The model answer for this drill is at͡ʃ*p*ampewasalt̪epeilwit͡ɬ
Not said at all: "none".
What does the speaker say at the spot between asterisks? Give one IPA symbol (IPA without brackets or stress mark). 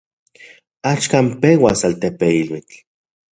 k